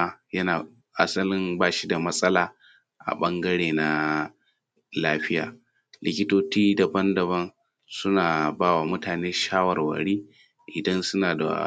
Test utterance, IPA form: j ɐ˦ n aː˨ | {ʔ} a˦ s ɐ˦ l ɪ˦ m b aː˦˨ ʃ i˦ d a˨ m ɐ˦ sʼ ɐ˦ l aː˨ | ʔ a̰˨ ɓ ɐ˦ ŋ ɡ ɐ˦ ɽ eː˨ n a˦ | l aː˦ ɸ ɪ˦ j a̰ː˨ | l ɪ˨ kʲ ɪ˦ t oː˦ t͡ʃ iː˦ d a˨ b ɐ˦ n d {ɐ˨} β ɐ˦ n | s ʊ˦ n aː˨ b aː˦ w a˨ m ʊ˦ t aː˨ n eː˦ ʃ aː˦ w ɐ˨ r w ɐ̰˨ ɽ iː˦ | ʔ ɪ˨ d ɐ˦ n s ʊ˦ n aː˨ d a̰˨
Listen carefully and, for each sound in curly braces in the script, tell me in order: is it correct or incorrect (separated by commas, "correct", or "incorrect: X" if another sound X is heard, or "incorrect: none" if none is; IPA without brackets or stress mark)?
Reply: correct, correct